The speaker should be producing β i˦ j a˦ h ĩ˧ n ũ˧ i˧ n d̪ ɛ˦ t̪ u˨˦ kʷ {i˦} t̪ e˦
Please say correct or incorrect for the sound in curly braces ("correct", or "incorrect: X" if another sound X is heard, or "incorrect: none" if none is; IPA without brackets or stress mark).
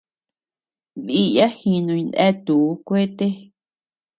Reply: incorrect: e˦